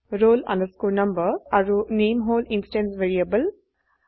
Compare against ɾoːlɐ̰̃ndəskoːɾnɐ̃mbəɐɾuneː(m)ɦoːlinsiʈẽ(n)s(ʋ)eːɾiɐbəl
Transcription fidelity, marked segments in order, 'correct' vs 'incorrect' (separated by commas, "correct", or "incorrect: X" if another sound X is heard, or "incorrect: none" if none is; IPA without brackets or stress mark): correct, correct, correct